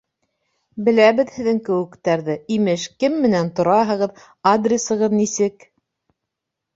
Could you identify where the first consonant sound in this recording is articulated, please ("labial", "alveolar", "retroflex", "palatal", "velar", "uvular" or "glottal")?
labial